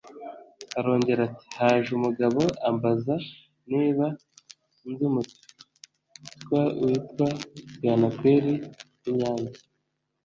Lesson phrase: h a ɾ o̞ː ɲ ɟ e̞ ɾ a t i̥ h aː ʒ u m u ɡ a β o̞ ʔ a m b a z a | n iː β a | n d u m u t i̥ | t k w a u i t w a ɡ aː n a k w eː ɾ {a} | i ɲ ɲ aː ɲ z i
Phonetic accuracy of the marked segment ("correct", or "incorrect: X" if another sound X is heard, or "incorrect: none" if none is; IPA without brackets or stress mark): incorrect: i